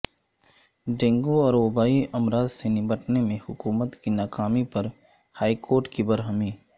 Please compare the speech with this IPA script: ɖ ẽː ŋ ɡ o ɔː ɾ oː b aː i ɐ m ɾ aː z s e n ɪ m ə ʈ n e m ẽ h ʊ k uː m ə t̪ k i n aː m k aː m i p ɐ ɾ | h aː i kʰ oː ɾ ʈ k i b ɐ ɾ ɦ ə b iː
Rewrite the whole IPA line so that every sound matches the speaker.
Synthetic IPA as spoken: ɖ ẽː ŋ ɡ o ɔː ɾ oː b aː i ɐ m ɾ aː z s e n ɪ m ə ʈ n e m ẽ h ʊ k uː m ə t̪ k i n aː k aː m i p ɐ ɾ | h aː i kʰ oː ɾ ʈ k i b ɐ ɾ ɦ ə m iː